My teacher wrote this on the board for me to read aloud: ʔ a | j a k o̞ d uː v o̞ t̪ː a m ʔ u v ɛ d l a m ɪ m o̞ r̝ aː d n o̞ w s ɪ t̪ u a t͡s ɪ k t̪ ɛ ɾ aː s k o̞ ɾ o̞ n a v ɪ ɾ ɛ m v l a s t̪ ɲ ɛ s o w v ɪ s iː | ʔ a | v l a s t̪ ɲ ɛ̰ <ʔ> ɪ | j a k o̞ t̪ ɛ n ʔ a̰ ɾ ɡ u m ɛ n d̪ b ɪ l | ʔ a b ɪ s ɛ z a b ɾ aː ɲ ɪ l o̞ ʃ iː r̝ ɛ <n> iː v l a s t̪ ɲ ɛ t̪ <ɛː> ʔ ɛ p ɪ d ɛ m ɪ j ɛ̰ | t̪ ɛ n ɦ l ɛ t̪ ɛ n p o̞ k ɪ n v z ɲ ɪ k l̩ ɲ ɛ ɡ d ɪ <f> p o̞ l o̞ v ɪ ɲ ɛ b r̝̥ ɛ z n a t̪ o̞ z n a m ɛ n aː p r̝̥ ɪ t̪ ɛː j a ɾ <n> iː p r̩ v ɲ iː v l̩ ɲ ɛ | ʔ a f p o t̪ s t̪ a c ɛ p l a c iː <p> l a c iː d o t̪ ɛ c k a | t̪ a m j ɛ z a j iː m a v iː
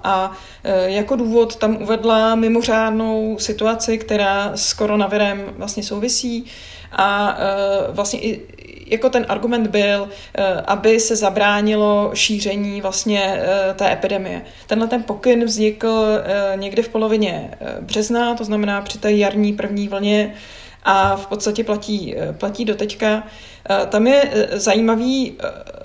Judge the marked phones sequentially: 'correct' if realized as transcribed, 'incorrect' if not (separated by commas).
correct, incorrect, correct, correct, incorrect, correct